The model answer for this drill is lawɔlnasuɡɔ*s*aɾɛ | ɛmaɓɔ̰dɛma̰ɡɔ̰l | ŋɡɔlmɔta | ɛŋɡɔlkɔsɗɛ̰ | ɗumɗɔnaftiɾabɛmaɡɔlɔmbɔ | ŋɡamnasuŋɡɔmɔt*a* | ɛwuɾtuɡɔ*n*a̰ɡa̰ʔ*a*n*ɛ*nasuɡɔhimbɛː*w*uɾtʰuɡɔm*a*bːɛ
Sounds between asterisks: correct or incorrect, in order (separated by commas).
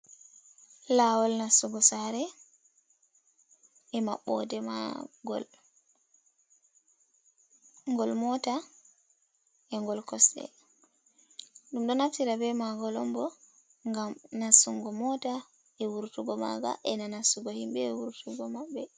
correct, correct, incorrect, incorrect, incorrect, correct, correct